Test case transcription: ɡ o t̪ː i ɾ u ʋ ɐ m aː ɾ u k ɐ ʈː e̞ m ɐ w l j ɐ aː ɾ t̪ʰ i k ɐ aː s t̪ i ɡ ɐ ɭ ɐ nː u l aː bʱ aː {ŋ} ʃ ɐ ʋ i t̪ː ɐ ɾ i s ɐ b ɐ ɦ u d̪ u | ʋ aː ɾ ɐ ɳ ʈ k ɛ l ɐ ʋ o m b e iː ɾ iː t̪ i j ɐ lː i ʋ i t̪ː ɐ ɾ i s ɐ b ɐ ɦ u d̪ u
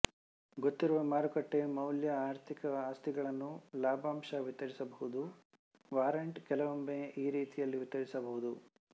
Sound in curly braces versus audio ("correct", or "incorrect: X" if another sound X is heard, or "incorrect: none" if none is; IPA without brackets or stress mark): incorrect: m